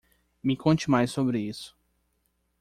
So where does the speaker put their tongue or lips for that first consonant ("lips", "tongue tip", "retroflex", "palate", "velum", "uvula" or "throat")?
lips